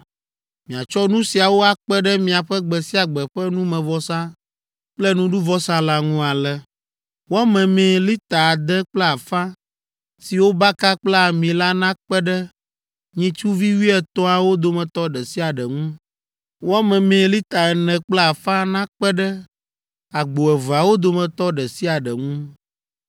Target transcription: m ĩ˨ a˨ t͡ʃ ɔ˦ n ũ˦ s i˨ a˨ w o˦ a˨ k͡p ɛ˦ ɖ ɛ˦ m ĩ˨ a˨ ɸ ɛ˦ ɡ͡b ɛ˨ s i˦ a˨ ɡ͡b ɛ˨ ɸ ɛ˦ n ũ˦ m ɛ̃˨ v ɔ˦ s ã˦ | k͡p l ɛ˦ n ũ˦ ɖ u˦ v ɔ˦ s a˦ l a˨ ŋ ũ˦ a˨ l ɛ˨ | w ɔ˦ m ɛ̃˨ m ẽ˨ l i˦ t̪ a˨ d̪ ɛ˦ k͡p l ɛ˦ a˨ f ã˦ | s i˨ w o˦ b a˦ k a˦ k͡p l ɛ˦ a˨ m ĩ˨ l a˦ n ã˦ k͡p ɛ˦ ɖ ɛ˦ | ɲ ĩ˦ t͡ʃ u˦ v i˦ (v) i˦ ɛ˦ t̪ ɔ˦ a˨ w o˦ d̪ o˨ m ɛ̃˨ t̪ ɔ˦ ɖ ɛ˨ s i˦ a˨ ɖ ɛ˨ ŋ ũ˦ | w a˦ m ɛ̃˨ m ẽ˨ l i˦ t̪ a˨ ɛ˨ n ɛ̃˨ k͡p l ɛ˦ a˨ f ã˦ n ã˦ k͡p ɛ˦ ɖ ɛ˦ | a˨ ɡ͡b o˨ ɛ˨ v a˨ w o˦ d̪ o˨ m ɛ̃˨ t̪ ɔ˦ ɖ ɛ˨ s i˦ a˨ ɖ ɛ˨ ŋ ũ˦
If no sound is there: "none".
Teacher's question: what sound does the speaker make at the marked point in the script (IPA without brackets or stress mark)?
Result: w